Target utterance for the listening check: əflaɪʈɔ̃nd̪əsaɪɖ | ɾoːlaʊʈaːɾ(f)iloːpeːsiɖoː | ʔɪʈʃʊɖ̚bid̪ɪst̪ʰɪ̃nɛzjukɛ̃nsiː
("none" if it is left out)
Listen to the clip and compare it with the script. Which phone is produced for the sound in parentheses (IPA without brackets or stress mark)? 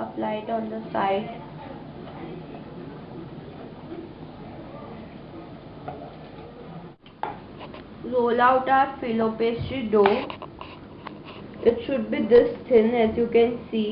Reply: f